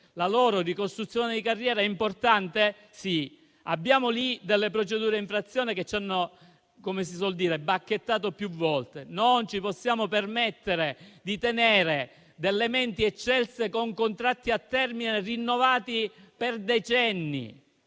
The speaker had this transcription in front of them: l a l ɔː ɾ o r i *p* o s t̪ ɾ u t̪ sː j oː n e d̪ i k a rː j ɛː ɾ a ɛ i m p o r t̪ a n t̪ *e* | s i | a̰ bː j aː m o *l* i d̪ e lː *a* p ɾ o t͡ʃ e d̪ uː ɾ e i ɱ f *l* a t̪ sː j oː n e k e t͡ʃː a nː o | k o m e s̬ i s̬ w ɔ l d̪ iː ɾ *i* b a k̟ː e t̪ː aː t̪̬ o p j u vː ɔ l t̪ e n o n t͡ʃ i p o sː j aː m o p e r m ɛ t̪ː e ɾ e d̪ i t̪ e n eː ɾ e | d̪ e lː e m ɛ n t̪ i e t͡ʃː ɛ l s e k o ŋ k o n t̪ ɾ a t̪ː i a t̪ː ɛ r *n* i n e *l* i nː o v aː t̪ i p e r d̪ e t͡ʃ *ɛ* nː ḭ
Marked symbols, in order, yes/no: no, yes, yes, no, no, no, no, no, yes

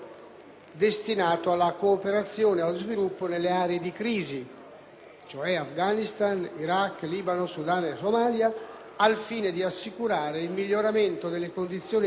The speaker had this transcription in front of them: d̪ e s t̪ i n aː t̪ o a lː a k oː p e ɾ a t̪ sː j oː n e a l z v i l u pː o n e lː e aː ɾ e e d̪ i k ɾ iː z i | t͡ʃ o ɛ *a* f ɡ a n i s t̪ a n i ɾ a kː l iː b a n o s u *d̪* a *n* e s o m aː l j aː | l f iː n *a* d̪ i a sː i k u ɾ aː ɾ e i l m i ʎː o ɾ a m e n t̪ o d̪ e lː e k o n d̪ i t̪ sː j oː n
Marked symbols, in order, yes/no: yes, yes, yes, no

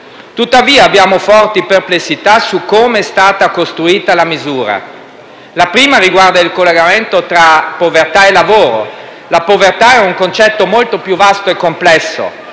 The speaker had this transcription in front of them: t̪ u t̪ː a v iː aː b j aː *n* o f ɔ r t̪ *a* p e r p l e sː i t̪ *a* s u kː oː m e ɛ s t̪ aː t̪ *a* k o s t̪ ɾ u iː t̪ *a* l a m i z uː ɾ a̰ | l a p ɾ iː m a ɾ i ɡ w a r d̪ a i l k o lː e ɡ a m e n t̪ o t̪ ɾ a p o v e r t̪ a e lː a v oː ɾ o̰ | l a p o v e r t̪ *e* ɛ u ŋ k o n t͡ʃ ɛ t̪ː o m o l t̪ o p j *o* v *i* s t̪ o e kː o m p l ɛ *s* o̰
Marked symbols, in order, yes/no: no, no, yes, yes, yes, no, no, no, no

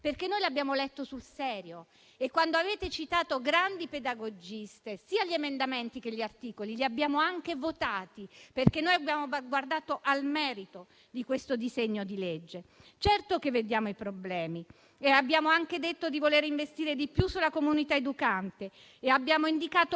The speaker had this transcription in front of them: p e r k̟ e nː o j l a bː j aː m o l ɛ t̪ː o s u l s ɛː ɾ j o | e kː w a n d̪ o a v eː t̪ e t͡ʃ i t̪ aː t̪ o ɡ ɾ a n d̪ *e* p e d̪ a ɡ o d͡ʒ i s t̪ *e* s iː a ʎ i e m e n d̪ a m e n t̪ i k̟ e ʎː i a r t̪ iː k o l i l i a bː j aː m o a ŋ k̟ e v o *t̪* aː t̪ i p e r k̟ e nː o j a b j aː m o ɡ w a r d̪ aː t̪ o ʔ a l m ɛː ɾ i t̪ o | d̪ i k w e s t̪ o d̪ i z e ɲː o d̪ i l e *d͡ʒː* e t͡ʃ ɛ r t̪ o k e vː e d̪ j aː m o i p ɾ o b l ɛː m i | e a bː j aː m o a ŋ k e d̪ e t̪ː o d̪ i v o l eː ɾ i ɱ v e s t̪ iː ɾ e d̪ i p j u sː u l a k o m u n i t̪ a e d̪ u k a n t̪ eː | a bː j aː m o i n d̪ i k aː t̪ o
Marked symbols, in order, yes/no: no, yes, yes, yes

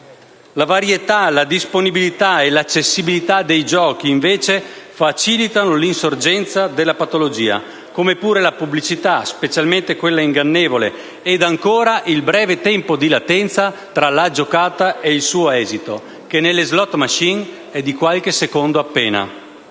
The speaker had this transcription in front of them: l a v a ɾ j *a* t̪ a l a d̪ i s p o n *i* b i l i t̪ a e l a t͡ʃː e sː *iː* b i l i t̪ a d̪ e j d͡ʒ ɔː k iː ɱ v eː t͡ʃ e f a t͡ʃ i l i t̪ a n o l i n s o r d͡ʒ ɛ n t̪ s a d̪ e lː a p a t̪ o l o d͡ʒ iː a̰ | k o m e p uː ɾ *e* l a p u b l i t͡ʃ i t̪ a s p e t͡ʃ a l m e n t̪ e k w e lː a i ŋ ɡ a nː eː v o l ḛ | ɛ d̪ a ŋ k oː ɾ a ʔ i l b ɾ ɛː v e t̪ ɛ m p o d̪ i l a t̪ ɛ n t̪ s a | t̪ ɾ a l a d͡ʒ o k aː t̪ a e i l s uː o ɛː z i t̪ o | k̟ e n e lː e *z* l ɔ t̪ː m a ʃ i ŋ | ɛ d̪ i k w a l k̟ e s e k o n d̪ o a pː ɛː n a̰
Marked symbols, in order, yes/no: no, yes, no, yes, yes

